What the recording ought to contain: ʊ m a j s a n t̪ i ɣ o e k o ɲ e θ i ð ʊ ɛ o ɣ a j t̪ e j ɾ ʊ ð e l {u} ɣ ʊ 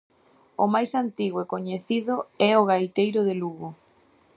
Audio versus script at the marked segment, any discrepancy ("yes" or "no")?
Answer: no